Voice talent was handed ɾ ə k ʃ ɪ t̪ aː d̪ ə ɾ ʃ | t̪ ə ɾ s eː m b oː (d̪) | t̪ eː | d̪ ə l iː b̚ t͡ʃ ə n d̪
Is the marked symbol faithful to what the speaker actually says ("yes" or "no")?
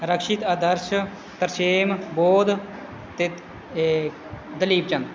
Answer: yes